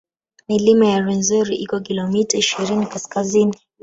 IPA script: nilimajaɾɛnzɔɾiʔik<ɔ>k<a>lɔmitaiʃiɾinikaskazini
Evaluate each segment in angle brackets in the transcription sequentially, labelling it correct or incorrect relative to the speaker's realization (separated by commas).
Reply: correct, incorrect